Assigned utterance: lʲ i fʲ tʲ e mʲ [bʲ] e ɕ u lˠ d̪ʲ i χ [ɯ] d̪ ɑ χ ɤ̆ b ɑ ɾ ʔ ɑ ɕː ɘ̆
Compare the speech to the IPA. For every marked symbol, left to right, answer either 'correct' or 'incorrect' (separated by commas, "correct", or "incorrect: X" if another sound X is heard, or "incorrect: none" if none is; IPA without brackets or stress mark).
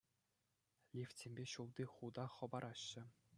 correct, incorrect: u